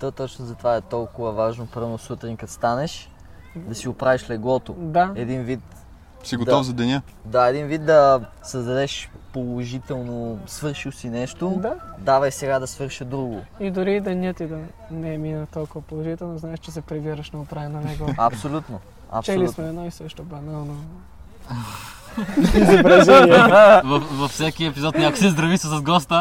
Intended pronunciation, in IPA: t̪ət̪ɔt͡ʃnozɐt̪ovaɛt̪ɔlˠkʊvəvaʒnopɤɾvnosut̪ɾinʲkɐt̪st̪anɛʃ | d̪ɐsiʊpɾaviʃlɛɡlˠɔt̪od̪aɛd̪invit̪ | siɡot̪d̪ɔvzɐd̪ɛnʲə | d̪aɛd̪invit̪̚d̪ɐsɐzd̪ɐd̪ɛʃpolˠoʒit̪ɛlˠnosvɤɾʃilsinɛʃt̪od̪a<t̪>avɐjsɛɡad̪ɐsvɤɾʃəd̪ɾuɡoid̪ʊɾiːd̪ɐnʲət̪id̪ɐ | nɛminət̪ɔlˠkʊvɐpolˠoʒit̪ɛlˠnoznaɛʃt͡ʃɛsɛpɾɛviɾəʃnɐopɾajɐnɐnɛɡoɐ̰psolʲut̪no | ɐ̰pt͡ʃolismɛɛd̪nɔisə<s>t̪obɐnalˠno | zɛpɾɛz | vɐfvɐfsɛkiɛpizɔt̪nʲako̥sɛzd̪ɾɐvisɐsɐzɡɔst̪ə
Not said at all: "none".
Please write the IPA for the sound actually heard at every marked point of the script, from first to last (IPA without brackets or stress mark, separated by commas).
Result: d̪, ʃ